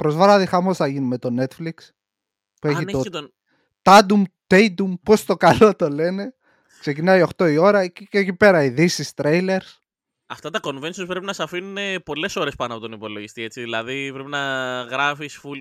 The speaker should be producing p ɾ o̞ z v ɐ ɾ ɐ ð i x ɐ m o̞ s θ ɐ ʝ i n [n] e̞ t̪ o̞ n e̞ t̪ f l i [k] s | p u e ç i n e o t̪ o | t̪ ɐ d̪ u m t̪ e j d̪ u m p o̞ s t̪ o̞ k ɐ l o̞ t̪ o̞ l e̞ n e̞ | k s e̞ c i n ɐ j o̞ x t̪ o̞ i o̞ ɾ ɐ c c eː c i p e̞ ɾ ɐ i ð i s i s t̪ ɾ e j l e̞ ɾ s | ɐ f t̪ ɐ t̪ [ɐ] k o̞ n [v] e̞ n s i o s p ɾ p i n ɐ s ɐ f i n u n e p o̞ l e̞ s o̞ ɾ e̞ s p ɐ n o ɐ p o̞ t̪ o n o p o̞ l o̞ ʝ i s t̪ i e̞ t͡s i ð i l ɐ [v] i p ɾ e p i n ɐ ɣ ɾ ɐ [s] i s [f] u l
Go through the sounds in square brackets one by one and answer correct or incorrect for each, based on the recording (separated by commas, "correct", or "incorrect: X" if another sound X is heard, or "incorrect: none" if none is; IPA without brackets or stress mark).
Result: incorrect: m, correct, correct, correct, incorrect: ð, incorrect: f, correct